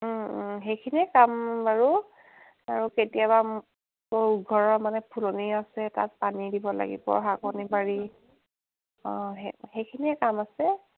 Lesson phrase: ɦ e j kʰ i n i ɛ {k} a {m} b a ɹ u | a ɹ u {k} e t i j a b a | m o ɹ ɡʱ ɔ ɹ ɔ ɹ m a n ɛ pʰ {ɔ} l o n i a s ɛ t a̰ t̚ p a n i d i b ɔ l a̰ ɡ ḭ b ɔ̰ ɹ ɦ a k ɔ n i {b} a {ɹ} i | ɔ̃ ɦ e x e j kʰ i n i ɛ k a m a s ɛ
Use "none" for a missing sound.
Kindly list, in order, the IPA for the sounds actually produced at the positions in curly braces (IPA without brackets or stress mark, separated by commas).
k, m, k, u, b, ɹ